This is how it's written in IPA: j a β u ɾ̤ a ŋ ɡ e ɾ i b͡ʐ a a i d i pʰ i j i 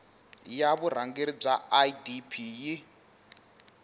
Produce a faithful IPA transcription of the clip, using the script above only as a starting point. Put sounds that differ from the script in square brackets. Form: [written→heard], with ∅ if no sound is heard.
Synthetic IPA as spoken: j a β u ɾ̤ a ŋ ɡ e ɾ i b͡ʐ a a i d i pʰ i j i

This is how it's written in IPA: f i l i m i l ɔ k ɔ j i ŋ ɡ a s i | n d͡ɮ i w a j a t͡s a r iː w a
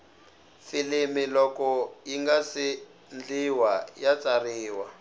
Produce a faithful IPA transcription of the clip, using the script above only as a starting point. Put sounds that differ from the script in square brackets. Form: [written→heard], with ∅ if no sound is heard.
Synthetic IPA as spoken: f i l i m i l ɔ k ɔ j i ŋ ɡ a s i | n d͡ɮ i w a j a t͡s a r iː w a

